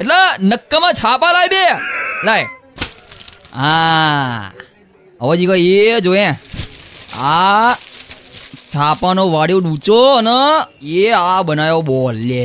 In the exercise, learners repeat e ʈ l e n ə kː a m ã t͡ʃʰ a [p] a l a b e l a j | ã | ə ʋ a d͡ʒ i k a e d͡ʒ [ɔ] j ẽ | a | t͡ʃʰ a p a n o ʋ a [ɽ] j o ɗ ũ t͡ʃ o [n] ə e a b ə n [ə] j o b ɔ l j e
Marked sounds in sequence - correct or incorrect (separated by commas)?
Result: correct, incorrect, correct, correct, incorrect